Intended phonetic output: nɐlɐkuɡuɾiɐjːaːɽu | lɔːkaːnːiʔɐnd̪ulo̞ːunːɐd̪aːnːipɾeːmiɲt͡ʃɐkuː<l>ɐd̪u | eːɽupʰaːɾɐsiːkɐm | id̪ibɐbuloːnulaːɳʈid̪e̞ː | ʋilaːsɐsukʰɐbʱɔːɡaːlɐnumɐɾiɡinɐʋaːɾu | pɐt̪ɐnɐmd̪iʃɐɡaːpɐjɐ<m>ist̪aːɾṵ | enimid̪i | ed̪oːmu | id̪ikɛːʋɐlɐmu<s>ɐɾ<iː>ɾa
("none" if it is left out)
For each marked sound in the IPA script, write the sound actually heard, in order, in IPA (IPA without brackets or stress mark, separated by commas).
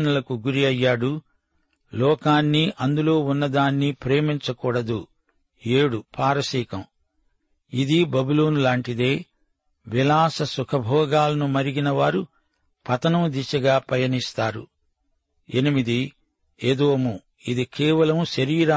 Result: ɽ, n, ʃ, iː